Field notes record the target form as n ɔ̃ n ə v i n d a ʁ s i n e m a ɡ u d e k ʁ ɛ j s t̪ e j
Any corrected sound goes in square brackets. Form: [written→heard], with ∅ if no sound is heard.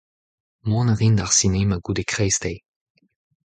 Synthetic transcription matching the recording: [n→m] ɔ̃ n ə [v→ʁ] i n d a ʁ s i n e m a ɡ u d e k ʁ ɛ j s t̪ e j